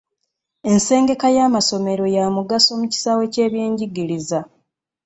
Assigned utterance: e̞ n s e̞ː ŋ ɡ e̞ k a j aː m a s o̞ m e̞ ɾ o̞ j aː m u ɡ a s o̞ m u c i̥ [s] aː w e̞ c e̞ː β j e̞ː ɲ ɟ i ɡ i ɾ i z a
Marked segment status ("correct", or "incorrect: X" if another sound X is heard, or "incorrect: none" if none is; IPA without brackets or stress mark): correct